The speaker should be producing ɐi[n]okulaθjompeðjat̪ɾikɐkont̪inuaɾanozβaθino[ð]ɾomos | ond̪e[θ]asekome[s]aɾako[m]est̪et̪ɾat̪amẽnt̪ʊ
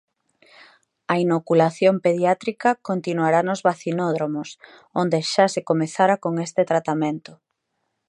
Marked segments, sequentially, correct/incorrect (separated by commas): correct, correct, incorrect, incorrect, incorrect